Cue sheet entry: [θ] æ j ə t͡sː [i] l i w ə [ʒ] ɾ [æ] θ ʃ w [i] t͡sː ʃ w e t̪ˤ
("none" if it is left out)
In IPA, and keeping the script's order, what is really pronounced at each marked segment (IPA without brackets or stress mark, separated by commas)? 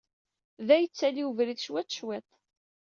ð, æ, v, i, æ